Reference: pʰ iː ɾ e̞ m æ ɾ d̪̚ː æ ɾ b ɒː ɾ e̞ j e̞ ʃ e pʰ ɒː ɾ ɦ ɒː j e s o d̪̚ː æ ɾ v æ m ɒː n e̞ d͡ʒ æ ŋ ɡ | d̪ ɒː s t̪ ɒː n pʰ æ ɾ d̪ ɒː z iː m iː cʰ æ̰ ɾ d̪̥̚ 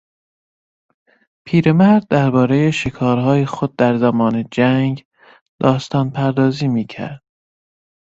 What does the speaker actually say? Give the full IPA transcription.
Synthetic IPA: pʰ iː ɾ e̞ m æ ɾ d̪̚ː æ ɾ b ɒː ɾ e̞ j e̞ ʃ e kʰ ɒː ɾ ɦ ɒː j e x o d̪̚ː æ ɾ z æ m ɒː n e̞ d͡ʒ æ ŋ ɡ | d̪ ɒː s t̪ ɒː n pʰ æ ɾ d̪ ɒː z iː m iː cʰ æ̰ ɾ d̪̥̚